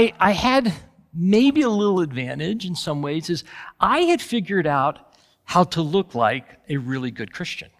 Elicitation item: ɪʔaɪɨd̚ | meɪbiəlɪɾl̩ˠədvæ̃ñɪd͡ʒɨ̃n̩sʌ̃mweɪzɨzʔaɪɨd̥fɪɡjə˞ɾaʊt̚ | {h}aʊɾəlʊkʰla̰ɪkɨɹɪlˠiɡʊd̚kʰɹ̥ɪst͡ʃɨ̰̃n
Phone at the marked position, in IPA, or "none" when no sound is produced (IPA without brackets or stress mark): h